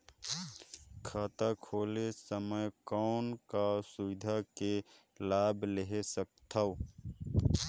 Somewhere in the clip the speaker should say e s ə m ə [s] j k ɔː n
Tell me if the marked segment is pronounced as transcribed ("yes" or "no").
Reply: no